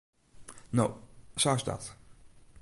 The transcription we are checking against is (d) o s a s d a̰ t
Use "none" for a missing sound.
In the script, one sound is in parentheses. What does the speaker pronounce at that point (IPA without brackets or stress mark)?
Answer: n